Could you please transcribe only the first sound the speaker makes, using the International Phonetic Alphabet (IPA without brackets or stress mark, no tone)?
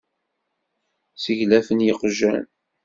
s